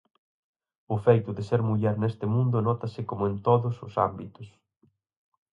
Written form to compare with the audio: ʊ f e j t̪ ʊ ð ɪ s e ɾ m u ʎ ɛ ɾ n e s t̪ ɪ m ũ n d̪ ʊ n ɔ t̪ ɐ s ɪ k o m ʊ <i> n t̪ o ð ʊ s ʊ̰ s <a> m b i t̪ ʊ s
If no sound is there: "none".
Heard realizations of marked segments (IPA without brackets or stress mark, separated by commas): e, a